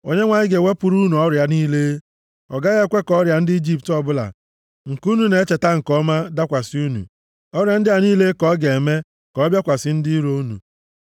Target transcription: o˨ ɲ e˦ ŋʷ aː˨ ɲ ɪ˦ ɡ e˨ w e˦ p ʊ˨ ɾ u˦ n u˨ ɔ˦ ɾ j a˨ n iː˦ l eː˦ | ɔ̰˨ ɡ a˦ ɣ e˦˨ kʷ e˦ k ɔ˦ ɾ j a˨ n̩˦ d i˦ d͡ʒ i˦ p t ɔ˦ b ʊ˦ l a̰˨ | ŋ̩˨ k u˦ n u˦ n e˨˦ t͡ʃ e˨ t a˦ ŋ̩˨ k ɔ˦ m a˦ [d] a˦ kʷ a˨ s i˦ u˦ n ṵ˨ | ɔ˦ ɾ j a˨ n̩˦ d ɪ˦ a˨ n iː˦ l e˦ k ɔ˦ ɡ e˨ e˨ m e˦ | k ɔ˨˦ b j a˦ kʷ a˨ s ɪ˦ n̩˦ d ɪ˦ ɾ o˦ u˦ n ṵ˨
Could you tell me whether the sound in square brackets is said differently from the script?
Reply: no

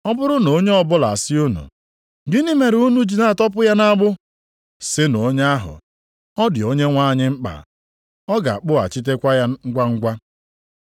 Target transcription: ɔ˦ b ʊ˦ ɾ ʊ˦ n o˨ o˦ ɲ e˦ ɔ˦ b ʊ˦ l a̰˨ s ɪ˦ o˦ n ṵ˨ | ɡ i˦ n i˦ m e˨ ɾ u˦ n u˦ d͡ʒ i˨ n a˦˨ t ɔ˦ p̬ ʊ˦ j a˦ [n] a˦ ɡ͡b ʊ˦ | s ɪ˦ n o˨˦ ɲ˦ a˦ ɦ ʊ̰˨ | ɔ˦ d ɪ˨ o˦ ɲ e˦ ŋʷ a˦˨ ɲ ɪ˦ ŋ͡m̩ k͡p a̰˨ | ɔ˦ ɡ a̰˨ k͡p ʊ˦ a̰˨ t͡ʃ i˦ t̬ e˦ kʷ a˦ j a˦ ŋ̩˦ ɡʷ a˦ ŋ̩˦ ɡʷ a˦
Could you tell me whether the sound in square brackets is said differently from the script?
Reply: no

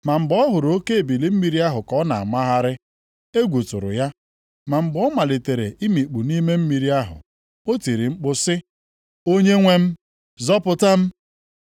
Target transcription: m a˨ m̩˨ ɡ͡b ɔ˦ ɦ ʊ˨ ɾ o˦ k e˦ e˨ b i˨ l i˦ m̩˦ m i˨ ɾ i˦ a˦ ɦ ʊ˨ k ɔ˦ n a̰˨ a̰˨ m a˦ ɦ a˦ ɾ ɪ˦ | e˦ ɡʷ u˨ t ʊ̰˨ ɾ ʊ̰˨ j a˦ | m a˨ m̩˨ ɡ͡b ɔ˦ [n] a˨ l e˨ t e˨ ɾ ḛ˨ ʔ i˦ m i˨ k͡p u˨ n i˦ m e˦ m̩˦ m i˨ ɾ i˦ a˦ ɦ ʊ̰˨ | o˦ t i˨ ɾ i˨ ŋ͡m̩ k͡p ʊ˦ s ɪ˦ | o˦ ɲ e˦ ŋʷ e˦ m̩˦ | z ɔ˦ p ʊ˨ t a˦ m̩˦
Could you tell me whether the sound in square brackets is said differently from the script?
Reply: yes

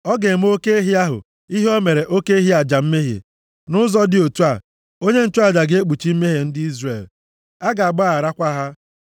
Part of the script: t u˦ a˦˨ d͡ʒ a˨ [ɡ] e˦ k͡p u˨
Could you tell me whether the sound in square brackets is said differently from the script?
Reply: no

